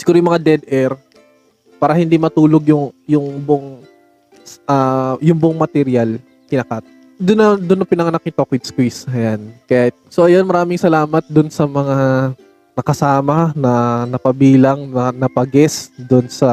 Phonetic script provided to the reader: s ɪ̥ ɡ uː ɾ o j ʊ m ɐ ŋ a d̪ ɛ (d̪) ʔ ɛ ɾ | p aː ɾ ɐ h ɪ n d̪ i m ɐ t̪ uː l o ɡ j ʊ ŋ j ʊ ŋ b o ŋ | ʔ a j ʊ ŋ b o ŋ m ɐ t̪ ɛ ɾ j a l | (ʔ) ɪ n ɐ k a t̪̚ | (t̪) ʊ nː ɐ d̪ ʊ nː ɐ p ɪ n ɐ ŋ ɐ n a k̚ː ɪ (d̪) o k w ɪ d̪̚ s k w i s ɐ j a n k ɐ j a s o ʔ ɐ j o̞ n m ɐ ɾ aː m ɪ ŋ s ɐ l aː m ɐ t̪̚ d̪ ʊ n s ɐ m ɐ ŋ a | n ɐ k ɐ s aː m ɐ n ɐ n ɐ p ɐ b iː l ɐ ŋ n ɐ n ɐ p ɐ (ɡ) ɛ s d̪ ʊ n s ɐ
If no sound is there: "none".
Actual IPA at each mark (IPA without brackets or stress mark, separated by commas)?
d̪, k, d̪, t̪, ɡ